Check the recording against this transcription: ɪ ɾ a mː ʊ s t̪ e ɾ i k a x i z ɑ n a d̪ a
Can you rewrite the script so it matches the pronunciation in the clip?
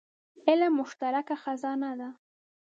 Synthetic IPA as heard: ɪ l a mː ʊ ʃ t̪ a ɾ a k a x a z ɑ n a d̪ a